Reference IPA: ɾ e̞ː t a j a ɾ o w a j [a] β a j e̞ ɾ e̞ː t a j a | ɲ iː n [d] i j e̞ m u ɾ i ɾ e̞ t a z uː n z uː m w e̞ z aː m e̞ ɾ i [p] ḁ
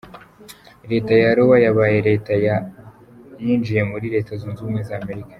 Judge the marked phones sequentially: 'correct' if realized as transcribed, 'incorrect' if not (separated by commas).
correct, incorrect, incorrect